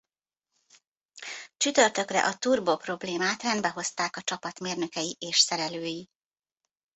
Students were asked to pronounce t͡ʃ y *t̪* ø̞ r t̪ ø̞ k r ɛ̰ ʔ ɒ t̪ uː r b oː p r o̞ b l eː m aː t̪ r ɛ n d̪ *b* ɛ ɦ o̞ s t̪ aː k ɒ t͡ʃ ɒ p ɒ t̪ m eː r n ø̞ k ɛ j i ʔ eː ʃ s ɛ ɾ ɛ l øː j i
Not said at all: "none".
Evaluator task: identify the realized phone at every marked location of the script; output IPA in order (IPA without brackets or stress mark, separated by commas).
t̪, b